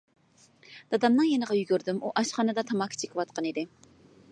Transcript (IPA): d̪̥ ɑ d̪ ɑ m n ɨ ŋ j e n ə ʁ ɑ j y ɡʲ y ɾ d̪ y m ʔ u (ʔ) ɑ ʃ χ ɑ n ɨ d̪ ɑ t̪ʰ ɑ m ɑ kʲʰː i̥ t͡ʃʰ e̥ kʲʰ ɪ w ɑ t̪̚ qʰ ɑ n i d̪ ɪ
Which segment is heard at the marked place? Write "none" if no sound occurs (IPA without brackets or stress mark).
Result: ʔ